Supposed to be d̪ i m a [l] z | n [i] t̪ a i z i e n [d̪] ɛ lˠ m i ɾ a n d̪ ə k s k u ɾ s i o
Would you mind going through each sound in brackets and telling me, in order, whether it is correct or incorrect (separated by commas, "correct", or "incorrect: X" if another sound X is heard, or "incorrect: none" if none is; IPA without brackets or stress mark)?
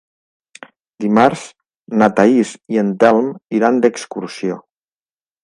incorrect: ɾ, incorrect: a, incorrect: t̪